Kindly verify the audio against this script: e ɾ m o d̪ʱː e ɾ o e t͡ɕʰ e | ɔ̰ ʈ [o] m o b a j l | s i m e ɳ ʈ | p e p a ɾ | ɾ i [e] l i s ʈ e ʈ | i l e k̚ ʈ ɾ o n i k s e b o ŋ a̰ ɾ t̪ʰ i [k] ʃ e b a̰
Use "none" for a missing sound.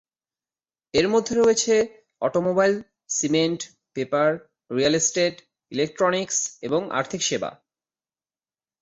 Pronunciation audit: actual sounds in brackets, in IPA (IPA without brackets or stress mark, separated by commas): o, a, k